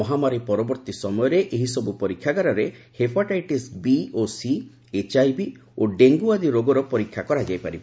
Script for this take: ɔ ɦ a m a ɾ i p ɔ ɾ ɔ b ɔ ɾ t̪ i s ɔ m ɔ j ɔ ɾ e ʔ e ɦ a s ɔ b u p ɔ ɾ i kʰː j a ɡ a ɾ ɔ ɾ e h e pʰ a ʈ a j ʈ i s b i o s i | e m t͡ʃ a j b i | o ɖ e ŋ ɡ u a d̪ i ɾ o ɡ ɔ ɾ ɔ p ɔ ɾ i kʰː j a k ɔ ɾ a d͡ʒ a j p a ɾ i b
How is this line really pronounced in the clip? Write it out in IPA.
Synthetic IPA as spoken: ɔ ɦ a m a ɾ i p ɔ ɾ ɔ b ɔ ɾ t̪ i s ɔ m ɔ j ɔ ɾ e ʔ e ɦ i s ɔ b u p ɔ ɾ i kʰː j a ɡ a ɾ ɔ ɾ e h e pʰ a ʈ a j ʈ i s b i o s i | e t͡ʃ a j b i | o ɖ e ŋ ɡ u a d̪ i ɾ o ɡ ɔ ɾ ɔ p ɔ ɾ i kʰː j a k ɔ ɾ a d͡ʒ a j p a ɾ i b